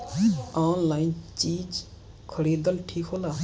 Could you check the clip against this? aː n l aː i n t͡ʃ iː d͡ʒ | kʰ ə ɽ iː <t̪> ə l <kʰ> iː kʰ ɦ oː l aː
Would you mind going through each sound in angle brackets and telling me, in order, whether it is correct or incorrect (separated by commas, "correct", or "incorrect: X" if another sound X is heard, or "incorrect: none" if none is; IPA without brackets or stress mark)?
incorrect: d̪, incorrect: ʈʰ